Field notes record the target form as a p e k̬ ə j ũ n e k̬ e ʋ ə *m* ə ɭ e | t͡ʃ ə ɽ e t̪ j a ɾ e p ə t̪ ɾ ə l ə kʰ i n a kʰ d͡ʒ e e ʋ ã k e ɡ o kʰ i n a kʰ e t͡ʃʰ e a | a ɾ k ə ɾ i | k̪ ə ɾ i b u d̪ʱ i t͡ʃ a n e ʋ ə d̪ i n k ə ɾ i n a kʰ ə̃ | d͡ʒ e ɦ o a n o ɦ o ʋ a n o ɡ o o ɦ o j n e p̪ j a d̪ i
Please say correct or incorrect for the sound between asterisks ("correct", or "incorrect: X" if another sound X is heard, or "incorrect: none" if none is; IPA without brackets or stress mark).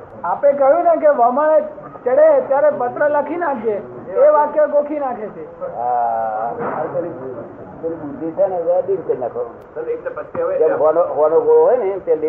correct